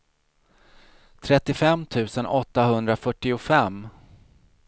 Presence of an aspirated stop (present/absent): present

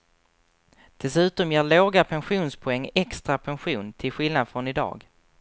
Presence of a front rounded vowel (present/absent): absent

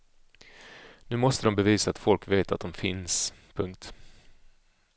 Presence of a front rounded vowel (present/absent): absent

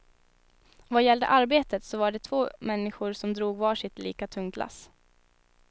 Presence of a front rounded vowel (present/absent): absent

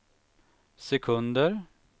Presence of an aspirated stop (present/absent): present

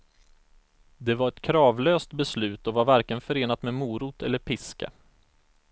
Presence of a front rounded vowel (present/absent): present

